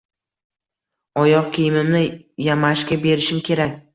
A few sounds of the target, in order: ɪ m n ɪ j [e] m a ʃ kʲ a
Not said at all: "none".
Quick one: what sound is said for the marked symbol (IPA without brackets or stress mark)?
a